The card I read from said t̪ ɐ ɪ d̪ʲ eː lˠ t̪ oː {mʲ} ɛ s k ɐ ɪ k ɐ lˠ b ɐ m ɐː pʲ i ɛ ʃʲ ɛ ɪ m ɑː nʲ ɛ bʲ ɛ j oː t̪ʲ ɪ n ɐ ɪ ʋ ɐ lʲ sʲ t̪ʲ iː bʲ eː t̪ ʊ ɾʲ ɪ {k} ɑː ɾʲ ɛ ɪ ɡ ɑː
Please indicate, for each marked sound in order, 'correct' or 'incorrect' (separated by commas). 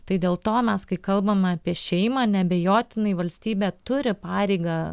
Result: correct, incorrect